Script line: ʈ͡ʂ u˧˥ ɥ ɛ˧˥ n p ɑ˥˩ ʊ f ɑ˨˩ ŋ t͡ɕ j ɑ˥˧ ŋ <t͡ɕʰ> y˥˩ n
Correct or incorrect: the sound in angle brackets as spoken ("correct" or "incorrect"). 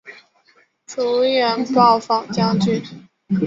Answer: incorrect